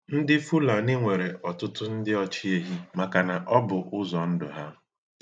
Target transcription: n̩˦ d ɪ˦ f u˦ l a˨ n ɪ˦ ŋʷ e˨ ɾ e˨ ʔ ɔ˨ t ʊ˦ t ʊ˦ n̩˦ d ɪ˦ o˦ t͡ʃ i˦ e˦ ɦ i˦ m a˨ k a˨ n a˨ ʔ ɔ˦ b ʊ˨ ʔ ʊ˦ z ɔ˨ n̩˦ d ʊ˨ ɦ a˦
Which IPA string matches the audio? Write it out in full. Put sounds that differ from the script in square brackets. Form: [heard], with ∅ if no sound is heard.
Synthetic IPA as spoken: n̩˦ d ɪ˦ f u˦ l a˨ n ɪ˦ ŋʷ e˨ ɾ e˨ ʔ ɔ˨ t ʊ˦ t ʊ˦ n̩˦ d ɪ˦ [ɔ˦] t͡ʃ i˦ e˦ ɦ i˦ m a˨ k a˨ n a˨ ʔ ɔ˦ b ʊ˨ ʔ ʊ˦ z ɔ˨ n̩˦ d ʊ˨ ɦ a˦